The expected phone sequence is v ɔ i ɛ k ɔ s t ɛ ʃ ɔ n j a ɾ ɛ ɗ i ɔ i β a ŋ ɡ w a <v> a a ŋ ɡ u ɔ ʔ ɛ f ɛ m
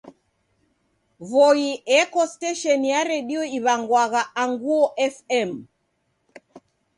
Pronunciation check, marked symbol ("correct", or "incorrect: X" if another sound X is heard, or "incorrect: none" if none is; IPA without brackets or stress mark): incorrect: ɣ